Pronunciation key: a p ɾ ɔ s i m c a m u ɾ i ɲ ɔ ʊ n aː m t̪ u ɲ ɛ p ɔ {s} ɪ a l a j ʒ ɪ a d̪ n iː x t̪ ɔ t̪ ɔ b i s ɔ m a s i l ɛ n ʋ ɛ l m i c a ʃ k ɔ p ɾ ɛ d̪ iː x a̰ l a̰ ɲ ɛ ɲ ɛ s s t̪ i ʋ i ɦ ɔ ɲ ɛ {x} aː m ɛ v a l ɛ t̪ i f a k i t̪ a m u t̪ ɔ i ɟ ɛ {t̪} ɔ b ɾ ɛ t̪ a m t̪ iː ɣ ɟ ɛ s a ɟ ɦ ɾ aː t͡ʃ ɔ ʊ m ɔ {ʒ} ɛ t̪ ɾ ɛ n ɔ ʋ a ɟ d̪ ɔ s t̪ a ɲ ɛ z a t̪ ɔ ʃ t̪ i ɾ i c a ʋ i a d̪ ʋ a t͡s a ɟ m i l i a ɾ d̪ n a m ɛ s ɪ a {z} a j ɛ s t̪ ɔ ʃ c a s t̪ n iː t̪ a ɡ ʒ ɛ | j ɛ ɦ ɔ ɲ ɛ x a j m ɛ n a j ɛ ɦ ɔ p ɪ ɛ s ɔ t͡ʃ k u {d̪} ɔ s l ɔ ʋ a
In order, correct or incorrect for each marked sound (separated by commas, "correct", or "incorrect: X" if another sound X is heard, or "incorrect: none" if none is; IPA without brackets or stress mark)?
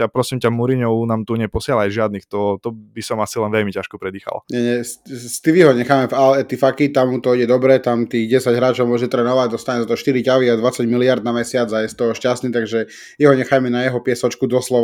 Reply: correct, correct, incorrect: d̪, correct, incorrect: d͡z, correct